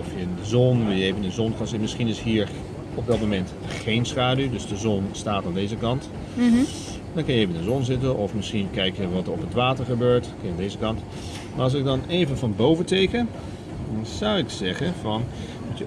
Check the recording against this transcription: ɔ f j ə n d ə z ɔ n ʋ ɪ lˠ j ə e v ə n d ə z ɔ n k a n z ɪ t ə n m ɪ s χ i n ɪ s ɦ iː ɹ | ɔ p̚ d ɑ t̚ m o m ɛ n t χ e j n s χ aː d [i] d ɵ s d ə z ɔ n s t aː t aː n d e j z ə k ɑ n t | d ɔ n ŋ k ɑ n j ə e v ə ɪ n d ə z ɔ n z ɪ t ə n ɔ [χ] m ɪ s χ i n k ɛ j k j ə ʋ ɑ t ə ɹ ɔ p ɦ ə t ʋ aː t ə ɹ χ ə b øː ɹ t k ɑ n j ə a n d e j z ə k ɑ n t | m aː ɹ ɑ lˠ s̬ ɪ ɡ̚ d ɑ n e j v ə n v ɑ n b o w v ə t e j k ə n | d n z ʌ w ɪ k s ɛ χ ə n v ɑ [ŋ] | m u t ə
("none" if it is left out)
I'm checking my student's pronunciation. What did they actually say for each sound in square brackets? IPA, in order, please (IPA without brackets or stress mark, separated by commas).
y, f, n